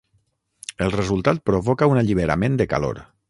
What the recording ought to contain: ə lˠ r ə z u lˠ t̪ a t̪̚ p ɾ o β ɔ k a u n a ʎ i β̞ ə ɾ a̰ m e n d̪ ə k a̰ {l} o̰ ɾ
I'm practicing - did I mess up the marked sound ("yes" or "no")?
no